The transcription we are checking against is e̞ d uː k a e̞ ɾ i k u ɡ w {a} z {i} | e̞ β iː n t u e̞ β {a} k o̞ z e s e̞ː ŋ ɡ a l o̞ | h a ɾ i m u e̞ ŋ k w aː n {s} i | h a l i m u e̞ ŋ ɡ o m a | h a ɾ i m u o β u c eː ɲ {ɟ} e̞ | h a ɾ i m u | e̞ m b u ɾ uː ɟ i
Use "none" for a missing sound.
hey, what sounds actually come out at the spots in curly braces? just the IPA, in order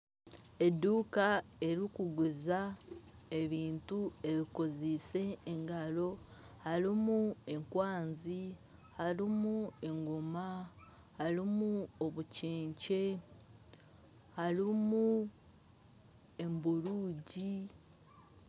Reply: e, a, i, z, c

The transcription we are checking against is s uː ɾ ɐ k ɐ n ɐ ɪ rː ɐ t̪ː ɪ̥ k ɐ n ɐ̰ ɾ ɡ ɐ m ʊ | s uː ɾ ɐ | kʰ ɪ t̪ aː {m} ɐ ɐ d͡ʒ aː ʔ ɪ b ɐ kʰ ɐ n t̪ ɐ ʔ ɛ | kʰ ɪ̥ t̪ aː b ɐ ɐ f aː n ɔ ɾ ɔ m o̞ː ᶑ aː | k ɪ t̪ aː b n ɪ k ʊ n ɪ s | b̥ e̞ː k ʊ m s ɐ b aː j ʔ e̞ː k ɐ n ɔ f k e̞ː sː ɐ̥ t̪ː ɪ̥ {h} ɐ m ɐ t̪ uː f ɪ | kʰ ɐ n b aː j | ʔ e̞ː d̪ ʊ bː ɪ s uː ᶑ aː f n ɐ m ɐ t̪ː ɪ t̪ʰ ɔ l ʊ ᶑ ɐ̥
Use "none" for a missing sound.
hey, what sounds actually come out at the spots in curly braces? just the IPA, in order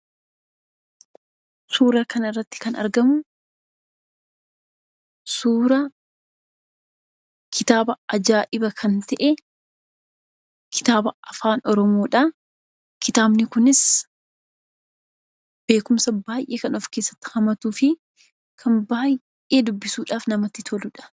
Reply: b, h

